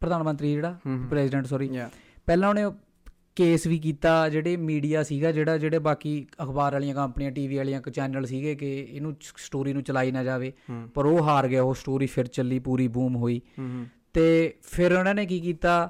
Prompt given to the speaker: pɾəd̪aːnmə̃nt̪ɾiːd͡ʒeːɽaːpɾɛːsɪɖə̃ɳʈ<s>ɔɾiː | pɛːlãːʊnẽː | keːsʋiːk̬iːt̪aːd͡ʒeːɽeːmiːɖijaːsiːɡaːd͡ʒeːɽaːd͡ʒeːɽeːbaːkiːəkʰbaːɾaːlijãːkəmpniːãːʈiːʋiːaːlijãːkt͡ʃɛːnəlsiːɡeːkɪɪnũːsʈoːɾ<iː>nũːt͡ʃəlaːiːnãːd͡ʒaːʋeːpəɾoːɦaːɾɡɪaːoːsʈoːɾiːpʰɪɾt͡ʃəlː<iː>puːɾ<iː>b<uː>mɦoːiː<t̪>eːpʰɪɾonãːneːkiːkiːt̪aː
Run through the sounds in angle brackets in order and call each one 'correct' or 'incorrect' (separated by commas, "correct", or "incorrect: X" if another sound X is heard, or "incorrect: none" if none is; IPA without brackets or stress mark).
correct, correct, correct, correct, correct, correct